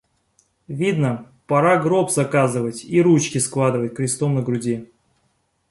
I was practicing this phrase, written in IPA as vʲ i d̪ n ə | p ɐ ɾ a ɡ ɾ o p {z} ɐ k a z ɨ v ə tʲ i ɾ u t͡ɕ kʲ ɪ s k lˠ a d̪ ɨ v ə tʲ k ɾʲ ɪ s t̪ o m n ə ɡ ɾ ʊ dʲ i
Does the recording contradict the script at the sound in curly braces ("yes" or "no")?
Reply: no